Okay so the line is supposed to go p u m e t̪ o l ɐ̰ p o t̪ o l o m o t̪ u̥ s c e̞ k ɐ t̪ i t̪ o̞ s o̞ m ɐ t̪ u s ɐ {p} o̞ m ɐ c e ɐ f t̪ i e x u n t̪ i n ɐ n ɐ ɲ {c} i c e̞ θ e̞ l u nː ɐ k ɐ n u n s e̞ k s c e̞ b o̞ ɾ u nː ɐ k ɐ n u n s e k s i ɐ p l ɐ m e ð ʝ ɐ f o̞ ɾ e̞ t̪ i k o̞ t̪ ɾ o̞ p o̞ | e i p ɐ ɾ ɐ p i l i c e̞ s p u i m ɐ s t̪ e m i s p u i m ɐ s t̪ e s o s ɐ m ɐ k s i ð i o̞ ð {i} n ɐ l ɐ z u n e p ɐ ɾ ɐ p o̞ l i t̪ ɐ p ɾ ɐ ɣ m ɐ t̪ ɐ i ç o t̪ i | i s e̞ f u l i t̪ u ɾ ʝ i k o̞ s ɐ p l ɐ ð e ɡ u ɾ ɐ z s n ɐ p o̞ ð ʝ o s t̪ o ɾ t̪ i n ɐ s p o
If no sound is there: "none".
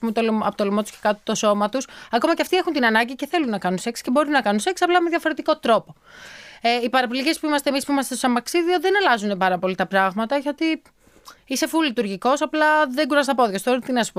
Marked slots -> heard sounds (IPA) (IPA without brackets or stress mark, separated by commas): k, ɟ, e